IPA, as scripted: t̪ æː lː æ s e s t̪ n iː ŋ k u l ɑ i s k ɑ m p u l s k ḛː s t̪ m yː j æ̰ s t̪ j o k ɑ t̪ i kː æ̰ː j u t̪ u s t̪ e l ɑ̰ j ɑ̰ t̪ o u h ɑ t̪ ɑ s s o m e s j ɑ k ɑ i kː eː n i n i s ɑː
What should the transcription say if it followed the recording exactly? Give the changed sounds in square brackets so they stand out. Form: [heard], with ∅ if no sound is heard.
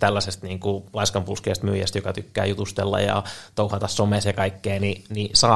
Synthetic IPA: t̪ [æ] lː æ s e s t̪ n iː ŋ k u l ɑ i s k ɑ m p u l s k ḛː s t̪ m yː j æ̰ s t̪ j o k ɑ t̪ [y] kː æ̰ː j u t̪ u s t̪ e [lː] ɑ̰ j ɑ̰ t̪ o u h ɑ t̪ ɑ s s o m e s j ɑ k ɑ i kː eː n i n i s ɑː